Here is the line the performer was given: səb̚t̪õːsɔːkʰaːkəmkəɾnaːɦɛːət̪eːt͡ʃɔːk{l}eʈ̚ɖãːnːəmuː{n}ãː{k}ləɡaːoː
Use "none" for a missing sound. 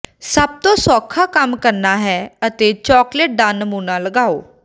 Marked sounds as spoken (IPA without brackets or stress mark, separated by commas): l, n, none